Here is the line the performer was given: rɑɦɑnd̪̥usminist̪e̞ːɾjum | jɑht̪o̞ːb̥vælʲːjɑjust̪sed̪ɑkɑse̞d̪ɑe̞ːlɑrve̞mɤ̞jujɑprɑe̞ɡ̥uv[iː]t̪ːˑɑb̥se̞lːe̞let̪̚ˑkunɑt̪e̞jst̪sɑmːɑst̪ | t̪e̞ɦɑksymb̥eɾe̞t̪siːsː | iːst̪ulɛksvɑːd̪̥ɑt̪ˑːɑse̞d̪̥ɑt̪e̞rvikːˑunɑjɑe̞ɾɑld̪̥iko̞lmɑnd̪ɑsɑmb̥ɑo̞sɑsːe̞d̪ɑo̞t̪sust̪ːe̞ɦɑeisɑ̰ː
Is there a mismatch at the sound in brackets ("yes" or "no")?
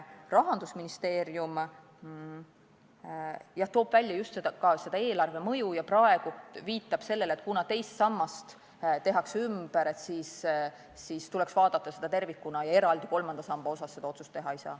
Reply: no